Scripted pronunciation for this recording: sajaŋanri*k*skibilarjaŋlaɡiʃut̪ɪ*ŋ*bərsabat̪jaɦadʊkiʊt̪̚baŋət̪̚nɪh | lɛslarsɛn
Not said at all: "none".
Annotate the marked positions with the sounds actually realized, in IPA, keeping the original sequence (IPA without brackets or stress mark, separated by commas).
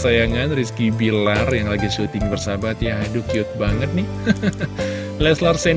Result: none, ŋ